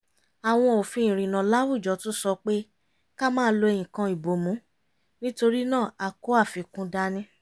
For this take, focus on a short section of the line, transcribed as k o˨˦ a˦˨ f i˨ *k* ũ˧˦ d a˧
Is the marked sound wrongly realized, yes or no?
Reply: no